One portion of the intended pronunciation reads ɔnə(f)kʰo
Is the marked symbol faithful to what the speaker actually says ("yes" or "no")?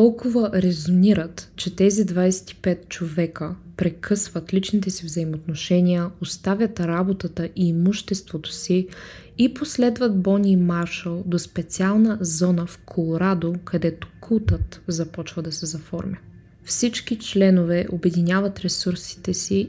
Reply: yes